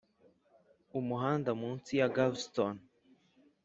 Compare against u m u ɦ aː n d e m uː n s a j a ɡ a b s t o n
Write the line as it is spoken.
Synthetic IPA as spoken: u m u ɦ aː n d a m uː n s i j a ɡ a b s t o n